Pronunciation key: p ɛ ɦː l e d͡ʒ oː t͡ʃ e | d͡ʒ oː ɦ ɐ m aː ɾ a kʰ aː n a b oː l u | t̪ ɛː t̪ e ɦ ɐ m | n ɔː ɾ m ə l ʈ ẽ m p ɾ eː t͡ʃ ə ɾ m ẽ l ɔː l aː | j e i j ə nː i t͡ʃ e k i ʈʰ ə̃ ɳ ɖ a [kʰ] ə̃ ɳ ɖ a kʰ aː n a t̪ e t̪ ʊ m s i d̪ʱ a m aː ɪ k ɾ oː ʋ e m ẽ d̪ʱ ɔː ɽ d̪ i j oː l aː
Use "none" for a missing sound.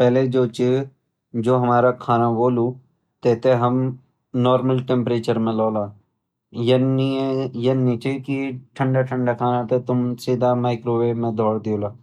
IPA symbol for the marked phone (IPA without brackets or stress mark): ʈʰ